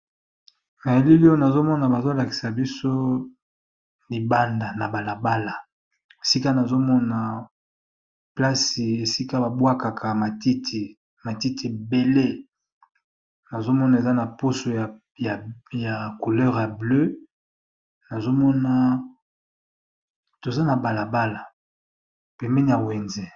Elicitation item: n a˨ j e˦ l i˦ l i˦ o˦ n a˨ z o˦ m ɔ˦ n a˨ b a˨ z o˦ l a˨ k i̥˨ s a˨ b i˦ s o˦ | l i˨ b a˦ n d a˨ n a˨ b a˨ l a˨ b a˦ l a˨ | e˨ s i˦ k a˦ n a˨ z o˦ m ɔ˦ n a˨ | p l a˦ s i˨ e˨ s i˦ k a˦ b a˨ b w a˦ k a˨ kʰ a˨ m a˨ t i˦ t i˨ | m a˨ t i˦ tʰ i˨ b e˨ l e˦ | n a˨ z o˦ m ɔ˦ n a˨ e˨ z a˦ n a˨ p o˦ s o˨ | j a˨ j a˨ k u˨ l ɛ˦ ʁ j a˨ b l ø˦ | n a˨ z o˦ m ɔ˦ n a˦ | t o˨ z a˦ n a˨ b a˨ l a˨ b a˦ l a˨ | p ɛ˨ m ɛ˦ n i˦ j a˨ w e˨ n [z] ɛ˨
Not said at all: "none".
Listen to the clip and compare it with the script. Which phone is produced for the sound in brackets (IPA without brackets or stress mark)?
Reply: z